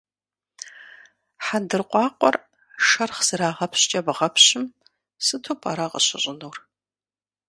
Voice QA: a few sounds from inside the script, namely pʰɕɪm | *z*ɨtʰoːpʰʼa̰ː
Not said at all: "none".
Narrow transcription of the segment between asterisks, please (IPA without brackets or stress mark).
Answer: s